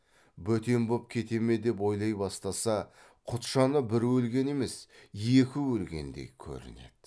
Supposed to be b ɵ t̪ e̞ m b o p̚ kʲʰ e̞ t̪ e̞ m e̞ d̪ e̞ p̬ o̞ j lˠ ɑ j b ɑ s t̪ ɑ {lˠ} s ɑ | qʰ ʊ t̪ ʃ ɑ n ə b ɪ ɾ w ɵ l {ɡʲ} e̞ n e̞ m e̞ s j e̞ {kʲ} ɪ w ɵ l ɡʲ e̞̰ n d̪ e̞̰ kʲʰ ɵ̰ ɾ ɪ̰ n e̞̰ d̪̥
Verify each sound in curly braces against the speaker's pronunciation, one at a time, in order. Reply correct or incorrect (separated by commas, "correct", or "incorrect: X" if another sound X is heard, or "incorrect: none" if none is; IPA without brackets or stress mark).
incorrect: none, correct, correct